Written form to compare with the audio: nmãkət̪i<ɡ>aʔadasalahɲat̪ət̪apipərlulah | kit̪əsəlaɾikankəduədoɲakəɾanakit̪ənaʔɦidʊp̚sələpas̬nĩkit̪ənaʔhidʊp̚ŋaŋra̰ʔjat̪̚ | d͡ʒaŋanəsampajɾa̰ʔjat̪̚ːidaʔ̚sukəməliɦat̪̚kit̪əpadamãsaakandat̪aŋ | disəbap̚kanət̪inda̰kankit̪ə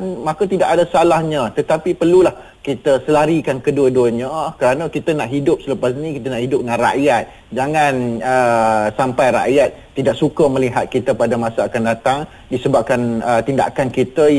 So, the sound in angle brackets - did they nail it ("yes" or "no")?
no